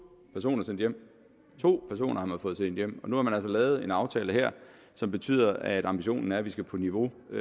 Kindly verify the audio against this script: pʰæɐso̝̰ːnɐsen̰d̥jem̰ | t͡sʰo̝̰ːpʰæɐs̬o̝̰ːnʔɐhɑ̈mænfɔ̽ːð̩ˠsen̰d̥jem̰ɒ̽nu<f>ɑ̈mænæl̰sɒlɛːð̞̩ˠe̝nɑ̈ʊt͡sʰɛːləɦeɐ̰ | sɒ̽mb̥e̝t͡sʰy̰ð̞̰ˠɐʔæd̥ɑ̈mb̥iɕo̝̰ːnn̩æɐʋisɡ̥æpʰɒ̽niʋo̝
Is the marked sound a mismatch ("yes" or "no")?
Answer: yes